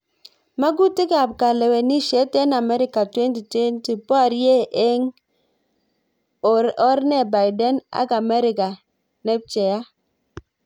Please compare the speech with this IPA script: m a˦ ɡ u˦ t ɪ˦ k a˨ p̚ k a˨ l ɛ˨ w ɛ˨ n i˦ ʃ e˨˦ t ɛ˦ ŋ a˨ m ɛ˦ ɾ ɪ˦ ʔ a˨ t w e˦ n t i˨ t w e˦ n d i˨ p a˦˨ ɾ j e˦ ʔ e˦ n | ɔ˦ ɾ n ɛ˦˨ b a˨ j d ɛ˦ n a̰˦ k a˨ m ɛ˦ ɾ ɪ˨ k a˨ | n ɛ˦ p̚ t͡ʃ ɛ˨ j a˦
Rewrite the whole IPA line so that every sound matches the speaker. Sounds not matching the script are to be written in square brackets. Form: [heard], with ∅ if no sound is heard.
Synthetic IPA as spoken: m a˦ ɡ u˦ t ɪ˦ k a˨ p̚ k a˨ l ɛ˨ w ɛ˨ n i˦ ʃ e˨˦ t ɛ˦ [n] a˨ m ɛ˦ ɾ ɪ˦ [k] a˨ t w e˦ n t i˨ t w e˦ n [t] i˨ p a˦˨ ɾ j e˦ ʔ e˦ [ŋ] | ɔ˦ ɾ n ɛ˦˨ b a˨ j d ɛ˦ n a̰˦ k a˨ m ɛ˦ ɾ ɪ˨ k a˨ | n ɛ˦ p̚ t͡ʃ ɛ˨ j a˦